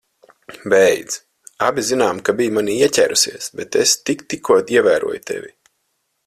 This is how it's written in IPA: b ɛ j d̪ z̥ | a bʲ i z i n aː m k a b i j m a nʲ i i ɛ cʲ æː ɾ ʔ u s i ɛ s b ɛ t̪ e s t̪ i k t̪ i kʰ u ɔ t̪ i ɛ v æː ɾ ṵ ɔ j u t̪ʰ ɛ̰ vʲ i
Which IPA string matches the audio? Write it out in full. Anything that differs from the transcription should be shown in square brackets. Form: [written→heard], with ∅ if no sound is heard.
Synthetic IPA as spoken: b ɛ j d̪ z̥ | a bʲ i z i n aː m k a b i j m a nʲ i i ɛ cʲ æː ɾ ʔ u s i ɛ s b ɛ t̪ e s t̪ i k t̪ i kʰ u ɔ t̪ i ɛ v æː ɾ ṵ ɔ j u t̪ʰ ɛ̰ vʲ i